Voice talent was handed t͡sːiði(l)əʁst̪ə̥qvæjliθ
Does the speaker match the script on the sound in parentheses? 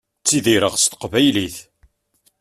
no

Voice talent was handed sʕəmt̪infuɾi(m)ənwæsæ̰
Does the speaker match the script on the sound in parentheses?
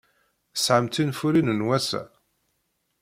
no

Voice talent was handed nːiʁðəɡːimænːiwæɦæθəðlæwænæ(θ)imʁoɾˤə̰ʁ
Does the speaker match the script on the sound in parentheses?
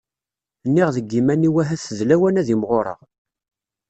no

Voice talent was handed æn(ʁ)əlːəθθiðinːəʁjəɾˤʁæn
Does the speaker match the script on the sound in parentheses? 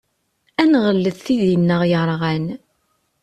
yes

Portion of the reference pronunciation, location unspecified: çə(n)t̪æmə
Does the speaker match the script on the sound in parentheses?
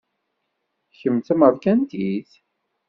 no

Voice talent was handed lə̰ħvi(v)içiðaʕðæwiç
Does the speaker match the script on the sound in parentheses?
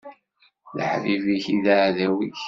yes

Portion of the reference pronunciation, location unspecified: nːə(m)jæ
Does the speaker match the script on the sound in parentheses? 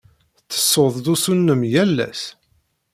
yes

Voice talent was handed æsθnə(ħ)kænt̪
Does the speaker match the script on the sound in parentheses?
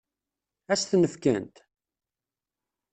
no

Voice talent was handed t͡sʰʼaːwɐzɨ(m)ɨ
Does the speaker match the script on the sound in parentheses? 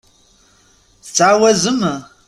yes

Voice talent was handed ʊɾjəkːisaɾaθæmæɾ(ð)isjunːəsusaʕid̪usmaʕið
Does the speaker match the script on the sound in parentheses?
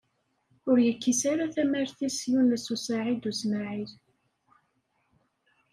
no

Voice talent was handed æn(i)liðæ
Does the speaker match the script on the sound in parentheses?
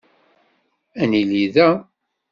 yes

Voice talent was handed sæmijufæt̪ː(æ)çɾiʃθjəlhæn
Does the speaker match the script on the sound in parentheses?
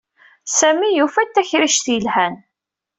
yes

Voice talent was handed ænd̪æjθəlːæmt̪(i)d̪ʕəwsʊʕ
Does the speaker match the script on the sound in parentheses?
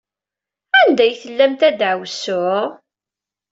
no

